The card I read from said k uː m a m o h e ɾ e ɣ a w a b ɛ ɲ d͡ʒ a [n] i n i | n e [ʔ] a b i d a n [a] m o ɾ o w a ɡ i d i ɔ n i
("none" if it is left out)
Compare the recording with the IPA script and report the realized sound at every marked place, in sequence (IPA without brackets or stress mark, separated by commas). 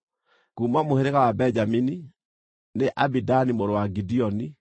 m, ʔ, i